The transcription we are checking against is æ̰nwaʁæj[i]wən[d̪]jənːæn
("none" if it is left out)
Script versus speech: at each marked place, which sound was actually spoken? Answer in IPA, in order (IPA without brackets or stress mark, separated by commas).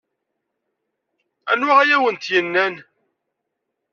æ, t̪